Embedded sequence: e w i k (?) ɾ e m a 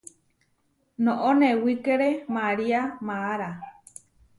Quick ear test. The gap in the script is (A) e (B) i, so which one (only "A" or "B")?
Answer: A